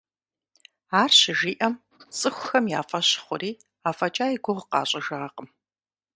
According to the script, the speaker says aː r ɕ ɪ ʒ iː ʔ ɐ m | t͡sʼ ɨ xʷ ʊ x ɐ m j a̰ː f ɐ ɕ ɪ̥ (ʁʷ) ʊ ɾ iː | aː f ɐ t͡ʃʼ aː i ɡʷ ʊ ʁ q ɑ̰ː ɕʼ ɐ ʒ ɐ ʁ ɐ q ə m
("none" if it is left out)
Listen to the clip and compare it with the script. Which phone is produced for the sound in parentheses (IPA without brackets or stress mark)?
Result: χʷ